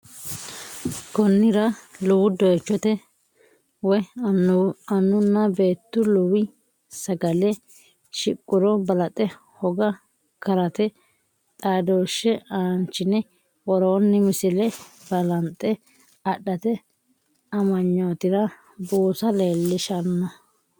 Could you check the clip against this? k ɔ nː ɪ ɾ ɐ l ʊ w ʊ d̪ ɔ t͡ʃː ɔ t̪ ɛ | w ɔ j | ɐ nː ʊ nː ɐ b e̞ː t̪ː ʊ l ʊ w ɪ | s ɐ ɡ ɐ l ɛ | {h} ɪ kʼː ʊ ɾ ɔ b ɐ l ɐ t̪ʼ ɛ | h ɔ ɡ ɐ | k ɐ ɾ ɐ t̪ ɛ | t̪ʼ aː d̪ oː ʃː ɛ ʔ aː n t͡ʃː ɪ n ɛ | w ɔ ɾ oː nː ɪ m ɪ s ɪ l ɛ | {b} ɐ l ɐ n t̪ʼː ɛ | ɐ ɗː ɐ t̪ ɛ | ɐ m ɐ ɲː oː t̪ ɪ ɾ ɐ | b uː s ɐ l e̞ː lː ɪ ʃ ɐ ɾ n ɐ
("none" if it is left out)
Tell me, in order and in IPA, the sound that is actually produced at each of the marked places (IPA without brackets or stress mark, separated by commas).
ʃ, b